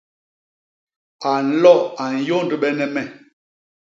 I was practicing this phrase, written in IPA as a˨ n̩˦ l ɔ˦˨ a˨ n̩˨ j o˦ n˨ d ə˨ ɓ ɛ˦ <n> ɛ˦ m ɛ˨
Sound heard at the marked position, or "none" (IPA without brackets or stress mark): n